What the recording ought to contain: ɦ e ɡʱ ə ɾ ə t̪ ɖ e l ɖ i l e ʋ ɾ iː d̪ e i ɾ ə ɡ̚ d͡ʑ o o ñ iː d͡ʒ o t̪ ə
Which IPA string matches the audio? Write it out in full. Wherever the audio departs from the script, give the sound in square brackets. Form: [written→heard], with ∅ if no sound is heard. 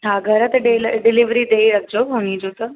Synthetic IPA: ɦ [e→a] ɡʱ ə ɾ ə t̪ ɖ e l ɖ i l [e→i] ʋ ɾ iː d̪ e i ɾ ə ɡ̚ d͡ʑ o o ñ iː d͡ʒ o t̪ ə